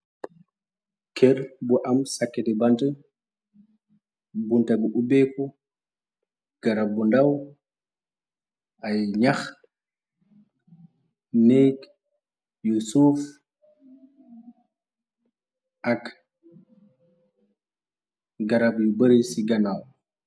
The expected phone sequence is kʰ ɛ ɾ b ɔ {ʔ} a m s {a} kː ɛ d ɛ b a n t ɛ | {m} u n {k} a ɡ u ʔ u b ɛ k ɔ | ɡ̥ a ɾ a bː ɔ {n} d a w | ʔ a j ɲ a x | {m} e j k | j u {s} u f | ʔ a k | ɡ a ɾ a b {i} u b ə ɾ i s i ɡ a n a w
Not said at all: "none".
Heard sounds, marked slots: ʔ, a, b, t, n, n, s, j

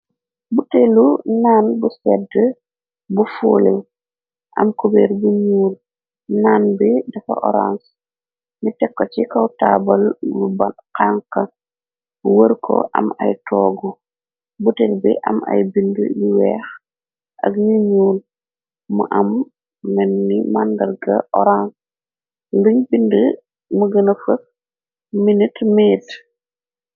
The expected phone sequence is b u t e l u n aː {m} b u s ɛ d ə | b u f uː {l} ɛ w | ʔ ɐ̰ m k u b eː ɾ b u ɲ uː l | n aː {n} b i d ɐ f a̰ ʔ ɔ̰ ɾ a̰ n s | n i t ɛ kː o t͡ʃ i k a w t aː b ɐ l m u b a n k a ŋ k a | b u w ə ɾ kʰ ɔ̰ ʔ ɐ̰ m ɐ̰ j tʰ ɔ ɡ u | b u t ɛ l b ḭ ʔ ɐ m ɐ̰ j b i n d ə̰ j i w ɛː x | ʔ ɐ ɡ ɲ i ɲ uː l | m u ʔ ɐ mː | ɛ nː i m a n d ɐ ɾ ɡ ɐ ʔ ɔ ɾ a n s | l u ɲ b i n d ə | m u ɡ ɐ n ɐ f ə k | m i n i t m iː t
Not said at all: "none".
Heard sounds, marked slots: n, l, n

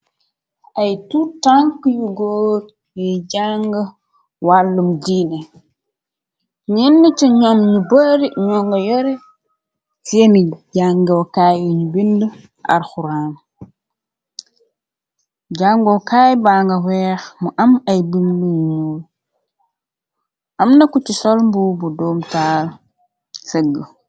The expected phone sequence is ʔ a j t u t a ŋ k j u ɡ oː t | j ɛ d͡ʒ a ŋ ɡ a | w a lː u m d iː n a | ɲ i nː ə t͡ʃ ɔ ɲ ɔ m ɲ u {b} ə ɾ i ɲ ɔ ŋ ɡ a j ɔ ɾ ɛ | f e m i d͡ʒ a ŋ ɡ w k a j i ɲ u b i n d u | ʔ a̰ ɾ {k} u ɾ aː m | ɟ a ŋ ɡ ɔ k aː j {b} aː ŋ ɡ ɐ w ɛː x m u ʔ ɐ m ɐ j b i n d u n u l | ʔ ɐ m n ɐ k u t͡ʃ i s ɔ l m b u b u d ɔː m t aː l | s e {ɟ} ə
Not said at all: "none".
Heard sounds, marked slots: b, x, b, ɡ

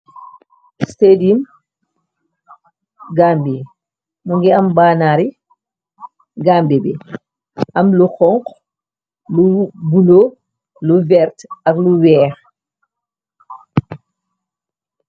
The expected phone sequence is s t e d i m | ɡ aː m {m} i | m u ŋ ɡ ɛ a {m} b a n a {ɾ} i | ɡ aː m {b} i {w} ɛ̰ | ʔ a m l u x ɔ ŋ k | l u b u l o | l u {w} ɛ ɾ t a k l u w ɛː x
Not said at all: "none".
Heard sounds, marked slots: b, m, ɾ, b, b, v

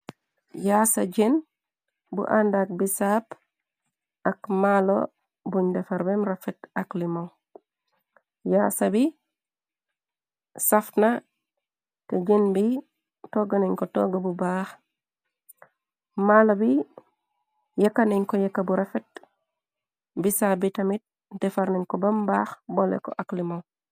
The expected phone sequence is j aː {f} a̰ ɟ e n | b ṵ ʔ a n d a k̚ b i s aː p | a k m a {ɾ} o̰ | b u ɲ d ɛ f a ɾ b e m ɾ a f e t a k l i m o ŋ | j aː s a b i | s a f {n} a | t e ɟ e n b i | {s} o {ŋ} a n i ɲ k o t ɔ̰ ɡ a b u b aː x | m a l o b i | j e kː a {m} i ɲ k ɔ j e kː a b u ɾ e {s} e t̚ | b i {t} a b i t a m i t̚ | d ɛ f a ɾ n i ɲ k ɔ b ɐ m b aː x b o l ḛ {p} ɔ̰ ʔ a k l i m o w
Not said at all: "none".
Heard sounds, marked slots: s, l, n, t, ɡ, n, f, s, k

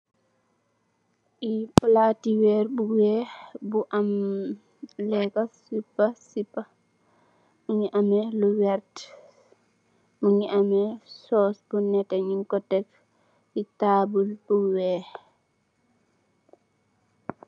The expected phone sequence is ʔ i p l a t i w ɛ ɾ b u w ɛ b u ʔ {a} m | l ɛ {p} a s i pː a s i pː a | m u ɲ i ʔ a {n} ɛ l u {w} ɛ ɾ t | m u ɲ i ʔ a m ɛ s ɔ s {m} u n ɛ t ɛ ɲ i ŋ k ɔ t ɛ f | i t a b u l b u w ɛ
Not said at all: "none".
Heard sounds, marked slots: a, k, m, w, b

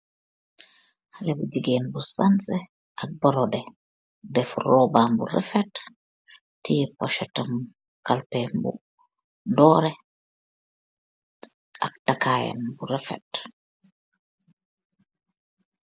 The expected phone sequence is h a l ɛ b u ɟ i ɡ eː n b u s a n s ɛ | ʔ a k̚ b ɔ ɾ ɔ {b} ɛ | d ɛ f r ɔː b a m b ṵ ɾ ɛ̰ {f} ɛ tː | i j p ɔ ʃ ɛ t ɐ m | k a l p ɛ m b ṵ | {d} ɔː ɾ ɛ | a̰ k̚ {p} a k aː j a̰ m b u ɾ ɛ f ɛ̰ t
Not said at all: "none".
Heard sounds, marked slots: d, f, d, t

